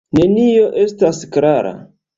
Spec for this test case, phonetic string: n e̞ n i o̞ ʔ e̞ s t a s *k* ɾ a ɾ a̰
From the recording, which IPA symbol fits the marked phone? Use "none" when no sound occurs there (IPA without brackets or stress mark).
k